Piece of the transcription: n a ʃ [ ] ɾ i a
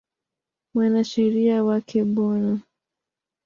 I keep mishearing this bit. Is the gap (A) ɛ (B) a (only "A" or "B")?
A